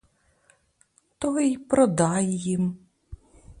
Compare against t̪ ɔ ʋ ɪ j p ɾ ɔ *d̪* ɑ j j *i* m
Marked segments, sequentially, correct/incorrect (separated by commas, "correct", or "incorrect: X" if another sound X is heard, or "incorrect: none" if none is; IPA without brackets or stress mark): correct, correct